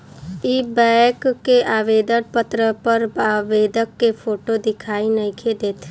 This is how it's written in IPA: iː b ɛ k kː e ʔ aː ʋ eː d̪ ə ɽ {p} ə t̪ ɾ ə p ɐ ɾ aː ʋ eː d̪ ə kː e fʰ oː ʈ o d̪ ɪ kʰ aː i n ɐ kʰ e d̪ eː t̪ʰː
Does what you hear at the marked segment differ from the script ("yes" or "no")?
no